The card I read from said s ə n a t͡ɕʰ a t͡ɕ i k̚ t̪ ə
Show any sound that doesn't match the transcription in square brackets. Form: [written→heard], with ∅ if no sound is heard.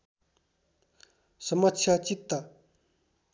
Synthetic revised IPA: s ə [n→m] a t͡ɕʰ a t͡ɕ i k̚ t̪ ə